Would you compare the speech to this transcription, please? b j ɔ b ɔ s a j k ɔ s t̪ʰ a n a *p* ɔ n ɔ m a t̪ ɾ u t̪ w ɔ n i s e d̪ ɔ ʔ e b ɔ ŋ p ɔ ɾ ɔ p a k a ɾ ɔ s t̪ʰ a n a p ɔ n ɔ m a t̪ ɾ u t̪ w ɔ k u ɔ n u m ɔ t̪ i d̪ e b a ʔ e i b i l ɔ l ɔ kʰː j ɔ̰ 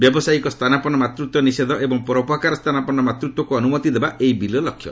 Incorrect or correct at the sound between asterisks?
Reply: correct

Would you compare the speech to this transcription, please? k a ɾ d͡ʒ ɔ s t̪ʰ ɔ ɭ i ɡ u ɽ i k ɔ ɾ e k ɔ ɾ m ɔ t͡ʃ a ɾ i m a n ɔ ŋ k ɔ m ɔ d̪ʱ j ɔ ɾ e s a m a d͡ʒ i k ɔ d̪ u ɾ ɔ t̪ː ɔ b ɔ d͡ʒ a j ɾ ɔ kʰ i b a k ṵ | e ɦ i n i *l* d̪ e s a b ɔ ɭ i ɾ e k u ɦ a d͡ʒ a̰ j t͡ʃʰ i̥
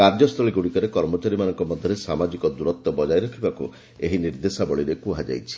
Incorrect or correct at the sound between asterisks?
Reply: incorrect: ɾ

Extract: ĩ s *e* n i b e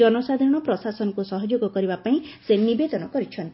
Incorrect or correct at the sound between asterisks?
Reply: correct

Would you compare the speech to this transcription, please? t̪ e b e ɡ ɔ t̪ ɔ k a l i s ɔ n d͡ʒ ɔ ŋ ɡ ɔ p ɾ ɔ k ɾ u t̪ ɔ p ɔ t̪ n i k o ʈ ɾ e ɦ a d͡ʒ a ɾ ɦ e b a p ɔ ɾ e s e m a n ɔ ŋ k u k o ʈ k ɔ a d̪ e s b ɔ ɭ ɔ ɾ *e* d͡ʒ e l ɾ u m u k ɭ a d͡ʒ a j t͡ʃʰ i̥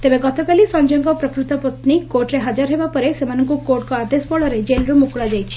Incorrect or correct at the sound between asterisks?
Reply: correct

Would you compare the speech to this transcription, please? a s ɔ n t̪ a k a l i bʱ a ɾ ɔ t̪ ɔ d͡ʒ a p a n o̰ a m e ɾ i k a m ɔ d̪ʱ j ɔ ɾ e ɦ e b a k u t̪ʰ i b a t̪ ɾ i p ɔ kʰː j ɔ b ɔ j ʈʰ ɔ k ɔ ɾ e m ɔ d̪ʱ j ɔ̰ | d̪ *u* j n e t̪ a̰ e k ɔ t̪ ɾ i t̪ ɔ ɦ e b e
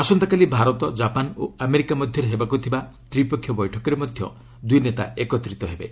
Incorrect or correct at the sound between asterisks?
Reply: correct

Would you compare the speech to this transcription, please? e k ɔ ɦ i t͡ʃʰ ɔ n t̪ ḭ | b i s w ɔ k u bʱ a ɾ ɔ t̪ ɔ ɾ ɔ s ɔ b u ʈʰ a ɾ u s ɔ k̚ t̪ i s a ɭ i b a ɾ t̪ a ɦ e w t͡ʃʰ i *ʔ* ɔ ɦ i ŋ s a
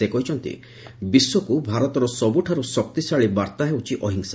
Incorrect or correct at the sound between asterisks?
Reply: correct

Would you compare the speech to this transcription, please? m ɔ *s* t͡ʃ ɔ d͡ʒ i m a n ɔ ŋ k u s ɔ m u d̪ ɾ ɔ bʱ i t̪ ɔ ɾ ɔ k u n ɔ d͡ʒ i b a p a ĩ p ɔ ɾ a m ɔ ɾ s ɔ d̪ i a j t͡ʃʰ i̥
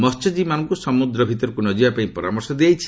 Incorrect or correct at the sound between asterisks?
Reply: correct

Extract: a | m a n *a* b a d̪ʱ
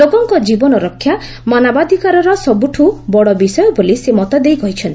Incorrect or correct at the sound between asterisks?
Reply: correct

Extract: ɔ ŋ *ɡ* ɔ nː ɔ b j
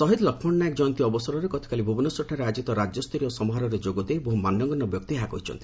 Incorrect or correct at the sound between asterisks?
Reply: correct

